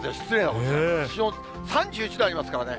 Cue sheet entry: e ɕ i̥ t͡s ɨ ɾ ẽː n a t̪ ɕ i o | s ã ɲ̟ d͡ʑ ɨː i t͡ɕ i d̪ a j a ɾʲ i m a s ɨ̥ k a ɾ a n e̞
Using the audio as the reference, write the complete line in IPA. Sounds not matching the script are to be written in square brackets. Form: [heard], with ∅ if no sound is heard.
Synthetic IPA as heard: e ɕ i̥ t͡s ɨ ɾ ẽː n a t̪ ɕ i o | s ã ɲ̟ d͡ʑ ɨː i t͡ɕ i d̪ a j a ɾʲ i m a s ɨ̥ k a ɾ a n e̞